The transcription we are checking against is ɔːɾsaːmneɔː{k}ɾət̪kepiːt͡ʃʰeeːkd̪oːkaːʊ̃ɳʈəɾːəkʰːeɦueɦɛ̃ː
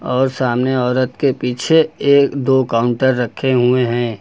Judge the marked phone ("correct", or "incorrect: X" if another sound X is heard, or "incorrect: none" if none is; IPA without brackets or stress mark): incorrect: none